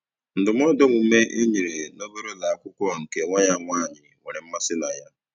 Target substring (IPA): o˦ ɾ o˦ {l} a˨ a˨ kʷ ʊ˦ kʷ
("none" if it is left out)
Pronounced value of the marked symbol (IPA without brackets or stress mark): l